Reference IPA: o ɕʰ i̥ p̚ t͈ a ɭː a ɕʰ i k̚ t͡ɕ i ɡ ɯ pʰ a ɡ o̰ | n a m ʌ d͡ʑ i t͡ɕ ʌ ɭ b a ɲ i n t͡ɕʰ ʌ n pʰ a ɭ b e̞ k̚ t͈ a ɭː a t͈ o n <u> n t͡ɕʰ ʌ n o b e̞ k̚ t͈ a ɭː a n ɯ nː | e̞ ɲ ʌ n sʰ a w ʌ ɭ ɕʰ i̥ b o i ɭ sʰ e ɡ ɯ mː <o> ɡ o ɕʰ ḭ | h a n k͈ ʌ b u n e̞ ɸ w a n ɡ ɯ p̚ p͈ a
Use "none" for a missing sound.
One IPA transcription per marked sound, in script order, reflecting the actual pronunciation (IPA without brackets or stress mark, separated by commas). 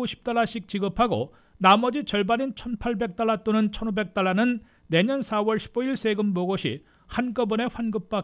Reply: ɯ, o